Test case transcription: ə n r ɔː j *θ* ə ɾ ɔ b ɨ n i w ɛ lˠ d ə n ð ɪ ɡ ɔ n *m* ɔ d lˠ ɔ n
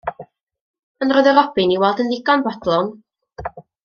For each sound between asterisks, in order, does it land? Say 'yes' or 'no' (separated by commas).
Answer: no, no